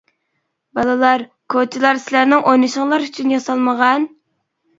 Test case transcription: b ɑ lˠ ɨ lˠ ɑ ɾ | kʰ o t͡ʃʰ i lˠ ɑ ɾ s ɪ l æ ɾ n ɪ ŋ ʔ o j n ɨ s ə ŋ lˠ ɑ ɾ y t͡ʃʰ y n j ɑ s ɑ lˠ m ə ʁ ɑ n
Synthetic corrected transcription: b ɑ lˠ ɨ lˠ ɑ ɾ | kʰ o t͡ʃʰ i lˠ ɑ ɾ s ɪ l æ ɾ n ɪ ŋ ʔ o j n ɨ ʃ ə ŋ lˠ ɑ ɾ y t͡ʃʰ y n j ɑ s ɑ lˠ m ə ʁ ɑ n